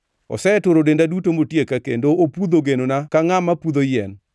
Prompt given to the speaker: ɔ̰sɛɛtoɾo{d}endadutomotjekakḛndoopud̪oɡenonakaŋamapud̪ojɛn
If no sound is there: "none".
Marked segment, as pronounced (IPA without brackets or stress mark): d